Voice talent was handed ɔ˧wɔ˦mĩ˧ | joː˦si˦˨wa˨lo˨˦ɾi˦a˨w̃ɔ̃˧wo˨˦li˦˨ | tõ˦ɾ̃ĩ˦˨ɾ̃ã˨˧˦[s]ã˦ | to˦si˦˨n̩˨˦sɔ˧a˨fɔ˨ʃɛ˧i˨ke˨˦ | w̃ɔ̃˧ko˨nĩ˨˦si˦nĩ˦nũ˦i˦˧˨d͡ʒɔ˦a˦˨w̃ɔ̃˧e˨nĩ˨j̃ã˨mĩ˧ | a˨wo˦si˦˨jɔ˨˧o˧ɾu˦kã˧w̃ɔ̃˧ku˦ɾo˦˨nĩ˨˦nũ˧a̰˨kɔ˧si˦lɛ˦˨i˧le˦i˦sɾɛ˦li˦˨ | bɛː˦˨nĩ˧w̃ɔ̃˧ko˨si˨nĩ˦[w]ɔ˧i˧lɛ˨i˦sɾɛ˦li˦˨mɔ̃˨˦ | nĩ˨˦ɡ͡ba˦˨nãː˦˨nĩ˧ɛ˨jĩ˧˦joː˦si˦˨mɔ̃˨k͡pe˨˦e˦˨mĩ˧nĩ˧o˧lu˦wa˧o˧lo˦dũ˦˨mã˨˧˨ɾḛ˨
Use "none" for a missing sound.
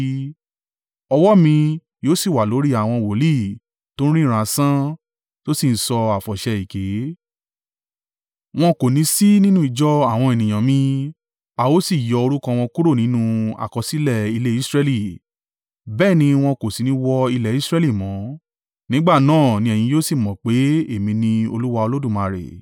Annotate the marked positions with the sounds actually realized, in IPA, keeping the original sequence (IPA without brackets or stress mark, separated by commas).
s, w